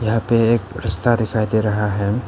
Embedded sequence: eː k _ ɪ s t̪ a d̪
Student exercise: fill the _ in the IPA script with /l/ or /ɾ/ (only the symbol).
ɾ